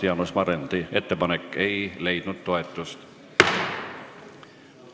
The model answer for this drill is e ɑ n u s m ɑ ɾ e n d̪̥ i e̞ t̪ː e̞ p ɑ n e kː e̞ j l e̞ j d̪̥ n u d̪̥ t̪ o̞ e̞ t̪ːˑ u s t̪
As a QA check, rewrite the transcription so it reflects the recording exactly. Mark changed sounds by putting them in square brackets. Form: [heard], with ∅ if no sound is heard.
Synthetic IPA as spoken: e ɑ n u s m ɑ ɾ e n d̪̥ i e̞ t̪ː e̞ p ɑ n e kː e̞ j l e̞ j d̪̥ n u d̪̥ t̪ o̞ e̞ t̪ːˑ u s t̪